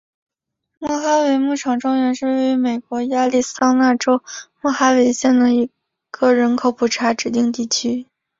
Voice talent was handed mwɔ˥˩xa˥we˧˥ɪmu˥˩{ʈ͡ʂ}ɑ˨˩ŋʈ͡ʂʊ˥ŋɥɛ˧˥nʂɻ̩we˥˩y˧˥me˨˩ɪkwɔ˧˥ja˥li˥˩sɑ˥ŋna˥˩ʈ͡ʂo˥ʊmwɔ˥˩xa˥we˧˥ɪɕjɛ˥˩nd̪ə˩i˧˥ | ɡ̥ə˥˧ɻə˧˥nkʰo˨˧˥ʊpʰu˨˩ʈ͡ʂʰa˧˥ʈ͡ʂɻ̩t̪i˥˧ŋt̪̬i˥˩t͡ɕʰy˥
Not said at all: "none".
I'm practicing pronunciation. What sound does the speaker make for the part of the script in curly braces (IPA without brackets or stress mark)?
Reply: ʈ͡ʂʰ